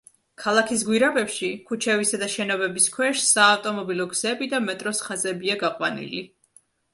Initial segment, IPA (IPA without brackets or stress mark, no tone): kʰ